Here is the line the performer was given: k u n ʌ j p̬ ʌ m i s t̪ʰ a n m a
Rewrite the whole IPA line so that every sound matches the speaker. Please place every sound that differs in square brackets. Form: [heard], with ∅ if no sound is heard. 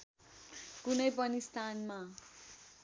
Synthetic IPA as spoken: k u n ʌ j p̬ ʌ [n] i s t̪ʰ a n m a